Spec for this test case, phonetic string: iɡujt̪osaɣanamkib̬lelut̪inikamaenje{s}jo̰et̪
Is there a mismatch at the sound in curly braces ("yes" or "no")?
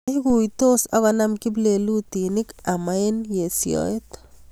no